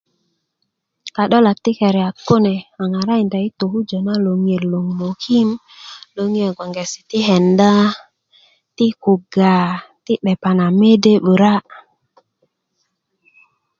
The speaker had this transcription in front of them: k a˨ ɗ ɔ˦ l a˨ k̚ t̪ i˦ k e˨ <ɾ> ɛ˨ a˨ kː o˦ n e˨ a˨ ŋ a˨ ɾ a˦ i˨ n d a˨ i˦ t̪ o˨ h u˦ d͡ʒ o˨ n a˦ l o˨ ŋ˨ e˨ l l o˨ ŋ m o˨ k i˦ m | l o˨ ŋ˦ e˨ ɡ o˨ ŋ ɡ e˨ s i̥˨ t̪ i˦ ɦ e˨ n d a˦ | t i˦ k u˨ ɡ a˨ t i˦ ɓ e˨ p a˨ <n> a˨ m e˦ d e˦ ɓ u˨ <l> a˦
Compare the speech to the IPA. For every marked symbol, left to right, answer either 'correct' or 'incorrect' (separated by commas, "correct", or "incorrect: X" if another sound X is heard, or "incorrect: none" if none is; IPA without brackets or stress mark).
correct, correct, incorrect: ɾ